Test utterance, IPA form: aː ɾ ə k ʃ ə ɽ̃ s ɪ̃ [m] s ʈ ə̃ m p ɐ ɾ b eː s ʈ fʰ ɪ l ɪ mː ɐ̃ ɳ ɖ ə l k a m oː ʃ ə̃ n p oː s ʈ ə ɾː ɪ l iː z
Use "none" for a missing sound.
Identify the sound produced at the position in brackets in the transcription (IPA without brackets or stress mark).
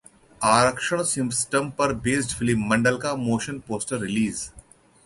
m